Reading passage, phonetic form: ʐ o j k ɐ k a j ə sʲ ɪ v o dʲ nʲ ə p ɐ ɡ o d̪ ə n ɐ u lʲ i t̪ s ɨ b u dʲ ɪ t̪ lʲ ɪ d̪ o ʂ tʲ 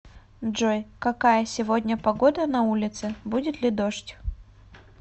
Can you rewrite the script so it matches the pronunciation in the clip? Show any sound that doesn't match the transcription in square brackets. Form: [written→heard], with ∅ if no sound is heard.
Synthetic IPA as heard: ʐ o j k ɐ k a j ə sʲ ɪ v o dʲ nʲ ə p ɐ ɡ o d̪ ə n ɐ u lʲ [i→ɪ] t̪ s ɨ b u dʲ ɪ t̪ lʲ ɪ d̪ o ʂ tʲ